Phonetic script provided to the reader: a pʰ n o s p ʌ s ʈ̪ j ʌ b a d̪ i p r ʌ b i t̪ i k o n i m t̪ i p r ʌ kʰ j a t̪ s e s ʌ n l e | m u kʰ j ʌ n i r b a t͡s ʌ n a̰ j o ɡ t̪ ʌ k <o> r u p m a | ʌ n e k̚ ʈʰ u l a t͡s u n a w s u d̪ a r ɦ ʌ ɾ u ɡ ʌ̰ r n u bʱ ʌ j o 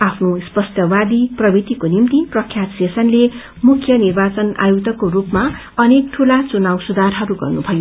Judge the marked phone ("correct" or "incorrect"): correct